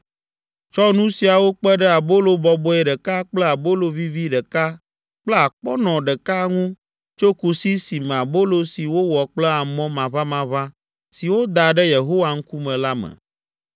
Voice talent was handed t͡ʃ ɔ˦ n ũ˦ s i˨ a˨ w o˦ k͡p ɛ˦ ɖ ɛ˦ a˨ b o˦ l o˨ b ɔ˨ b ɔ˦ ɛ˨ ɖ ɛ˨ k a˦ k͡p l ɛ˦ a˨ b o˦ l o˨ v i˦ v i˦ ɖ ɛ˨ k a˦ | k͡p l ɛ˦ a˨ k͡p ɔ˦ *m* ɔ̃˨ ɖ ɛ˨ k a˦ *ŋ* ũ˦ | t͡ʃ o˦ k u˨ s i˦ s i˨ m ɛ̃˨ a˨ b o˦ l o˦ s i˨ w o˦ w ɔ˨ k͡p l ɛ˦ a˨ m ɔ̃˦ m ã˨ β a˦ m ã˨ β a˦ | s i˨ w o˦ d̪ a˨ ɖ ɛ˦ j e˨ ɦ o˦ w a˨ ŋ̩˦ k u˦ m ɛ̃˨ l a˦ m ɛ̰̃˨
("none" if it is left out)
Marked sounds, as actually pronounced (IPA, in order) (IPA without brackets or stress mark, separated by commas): n, ŋ